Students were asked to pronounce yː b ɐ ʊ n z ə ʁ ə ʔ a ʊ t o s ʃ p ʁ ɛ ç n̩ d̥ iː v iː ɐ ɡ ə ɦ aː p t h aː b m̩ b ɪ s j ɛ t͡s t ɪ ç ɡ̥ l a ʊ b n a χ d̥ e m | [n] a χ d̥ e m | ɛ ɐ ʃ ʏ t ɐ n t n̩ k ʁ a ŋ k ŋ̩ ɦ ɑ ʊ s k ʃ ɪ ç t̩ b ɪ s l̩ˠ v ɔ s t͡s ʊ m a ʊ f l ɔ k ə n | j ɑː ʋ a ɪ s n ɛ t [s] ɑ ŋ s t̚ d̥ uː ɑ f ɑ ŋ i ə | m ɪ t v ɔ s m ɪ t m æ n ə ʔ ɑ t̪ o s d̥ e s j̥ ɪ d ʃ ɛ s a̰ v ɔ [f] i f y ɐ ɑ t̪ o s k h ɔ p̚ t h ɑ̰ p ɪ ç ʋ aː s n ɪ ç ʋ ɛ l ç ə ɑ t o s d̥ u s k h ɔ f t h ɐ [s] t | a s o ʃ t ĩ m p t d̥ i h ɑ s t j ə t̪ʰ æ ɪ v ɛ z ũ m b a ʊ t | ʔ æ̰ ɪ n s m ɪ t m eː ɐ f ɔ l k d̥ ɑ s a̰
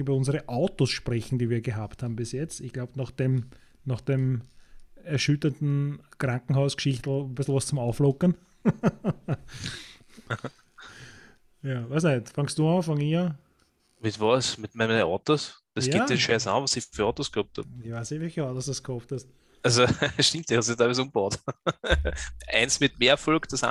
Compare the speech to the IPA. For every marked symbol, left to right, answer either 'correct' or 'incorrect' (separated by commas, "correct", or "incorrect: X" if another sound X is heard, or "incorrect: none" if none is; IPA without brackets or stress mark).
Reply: correct, incorrect: f, incorrect: s, correct